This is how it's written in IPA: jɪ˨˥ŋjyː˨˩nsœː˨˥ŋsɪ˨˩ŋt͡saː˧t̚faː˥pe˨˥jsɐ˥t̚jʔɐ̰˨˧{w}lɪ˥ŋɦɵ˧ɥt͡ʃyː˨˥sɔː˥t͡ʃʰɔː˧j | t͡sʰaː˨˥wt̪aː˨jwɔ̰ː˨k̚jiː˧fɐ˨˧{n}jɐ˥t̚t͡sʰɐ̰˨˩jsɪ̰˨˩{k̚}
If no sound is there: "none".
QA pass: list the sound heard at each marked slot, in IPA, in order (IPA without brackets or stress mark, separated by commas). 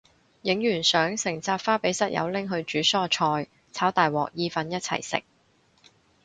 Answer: w, n, k̚